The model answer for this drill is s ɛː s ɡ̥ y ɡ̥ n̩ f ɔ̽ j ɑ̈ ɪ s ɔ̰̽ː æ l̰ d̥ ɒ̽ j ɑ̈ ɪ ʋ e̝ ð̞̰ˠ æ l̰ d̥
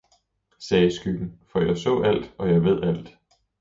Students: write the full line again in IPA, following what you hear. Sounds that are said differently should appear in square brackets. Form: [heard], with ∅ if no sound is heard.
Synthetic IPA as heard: s ɛː s ɡ̥ y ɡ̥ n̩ f [ɒ̽] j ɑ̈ ɪ s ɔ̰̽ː æ l̰ d̥ ɒ̽ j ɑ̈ ɪ ʋ e̝ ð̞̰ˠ æ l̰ d̥

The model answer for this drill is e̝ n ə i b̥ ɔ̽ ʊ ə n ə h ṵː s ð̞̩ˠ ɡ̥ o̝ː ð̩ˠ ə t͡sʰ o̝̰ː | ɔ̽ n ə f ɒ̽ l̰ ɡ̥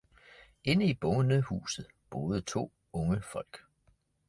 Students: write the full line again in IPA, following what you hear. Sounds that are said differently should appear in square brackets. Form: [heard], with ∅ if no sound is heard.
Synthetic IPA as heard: e̝ n ə i b̥ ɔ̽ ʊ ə n ə h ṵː s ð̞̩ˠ [b̥] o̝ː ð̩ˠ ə t͡sʰ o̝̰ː | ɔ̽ [ŋ] ə f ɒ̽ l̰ ɡ̥

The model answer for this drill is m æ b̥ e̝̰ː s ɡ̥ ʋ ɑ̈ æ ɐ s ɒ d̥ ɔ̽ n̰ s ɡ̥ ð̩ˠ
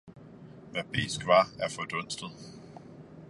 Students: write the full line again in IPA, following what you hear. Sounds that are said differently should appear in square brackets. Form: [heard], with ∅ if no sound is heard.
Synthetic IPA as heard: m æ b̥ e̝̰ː s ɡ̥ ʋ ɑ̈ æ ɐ [f] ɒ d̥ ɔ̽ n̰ s [d̥] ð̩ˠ

